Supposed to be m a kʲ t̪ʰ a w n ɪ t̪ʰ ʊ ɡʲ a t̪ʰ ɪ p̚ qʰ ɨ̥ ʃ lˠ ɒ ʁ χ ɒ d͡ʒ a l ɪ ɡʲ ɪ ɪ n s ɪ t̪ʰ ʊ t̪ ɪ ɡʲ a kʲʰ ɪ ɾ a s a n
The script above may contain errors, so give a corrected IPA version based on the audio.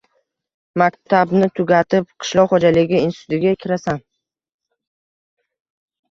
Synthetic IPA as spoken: m a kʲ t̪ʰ a b n ɪ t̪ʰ ʊ ɡʲ a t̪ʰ ɪ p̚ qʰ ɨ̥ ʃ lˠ ɒ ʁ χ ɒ d͡ʒ a l ɪ ɡʲ ɪ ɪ n s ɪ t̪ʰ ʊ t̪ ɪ ɡʲ a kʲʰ ɪ ɾ a s a n